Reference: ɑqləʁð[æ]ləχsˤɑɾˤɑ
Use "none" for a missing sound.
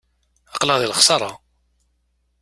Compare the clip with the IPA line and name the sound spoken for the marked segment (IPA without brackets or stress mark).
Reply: i